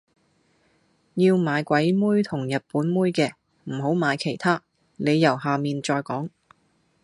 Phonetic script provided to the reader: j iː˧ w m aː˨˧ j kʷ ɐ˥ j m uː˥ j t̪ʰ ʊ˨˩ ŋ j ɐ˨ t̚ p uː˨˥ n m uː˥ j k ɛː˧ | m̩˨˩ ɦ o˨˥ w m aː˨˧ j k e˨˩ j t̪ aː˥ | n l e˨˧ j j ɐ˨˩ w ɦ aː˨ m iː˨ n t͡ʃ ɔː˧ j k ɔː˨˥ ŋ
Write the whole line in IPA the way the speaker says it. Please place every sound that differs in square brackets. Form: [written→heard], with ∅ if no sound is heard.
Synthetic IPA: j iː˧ w m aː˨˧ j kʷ [ɐ˥→ɐ˨˥] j m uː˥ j t̪ʰ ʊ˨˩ ŋ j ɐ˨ t̚ p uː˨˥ n m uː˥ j k ɛː˧ | m̩˨˩ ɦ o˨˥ w m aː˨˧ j [k→kʰ] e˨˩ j [t̪→t̪ʰ] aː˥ | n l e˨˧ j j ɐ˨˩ w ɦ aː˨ m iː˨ n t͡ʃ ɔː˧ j k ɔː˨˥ ŋ

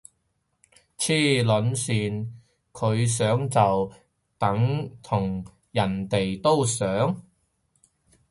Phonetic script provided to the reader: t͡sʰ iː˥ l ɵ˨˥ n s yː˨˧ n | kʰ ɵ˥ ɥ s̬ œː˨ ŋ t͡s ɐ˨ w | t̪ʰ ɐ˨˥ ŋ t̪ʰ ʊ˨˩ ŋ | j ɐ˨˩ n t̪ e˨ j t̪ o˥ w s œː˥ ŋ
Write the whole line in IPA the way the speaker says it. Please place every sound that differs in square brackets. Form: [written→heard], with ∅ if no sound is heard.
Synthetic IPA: t͡sʰ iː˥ l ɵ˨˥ n s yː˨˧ n | kʰ [ɵ˥→ɵ˨˧] ɥ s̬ [œː˨→œː˨˥] ŋ t͡s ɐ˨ w | [t̪ʰ→t̪] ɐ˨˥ ŋ t̪ʰ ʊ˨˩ ŋ | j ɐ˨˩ n t̪ e˨ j t̪ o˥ w s [œː˥→œː˨˥] ŋ

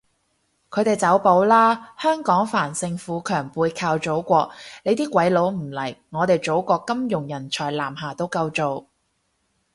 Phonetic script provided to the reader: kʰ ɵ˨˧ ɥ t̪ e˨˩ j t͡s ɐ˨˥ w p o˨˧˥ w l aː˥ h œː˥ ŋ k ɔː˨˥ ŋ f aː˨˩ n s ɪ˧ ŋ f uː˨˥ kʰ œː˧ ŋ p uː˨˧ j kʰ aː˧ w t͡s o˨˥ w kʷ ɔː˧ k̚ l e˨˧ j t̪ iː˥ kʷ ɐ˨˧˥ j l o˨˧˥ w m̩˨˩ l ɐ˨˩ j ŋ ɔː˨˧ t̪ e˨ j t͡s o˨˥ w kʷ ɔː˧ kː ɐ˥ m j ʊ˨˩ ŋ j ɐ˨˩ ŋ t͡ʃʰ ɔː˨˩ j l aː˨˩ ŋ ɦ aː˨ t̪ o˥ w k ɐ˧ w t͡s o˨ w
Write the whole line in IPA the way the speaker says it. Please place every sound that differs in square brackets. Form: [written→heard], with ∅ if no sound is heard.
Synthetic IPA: kʰ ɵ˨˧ ɥ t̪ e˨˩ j t͡s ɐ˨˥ w p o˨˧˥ w l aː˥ h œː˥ ŋ k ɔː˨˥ ŋ f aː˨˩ n s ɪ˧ ŋ f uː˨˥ kʰ [œː˧→œː˨˩] ŋ p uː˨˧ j kʰ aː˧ w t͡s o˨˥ w kʷ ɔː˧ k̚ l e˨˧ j t̪ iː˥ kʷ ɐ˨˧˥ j l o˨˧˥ w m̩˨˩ l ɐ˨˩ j ŋ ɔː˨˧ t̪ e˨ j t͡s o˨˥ w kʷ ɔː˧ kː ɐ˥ m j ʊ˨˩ ŋ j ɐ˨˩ [ŋ→n] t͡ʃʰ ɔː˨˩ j l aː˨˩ [ŋ→m] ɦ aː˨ t̪ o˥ w k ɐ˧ w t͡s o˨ w

